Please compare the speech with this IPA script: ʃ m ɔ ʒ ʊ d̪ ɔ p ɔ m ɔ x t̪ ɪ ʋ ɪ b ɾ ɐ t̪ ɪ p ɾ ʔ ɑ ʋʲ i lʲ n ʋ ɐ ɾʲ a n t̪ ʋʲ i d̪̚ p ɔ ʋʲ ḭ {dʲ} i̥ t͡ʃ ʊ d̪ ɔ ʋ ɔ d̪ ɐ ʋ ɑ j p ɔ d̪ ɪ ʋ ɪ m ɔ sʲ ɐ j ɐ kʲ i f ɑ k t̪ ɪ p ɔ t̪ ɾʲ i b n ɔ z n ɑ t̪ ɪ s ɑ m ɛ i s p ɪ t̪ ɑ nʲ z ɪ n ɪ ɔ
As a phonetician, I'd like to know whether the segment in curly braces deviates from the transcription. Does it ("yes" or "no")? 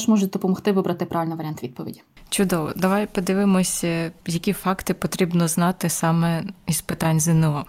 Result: no